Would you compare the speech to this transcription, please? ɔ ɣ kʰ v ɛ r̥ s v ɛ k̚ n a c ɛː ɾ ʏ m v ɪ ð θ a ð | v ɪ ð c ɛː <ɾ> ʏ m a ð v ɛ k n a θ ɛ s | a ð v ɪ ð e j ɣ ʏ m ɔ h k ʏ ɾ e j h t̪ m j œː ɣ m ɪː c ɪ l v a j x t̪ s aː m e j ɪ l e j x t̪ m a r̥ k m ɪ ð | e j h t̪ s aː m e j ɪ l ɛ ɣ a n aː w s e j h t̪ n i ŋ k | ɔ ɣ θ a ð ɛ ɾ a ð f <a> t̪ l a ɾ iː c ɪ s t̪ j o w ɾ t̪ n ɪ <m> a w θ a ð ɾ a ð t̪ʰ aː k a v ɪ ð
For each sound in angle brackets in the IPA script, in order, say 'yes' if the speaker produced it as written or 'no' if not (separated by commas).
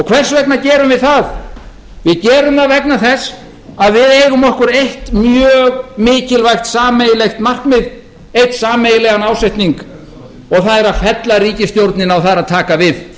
yes, no, no